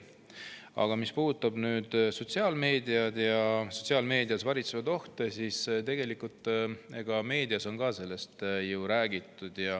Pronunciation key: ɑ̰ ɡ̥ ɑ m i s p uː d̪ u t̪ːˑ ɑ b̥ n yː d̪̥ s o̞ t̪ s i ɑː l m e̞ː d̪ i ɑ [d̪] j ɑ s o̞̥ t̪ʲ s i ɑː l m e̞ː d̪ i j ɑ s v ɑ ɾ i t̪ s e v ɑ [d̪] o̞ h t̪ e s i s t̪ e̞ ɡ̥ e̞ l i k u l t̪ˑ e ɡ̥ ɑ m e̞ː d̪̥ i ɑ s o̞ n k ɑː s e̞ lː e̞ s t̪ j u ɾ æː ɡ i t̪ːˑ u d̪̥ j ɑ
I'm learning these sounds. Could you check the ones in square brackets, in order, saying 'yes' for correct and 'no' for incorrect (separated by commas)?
yes, yes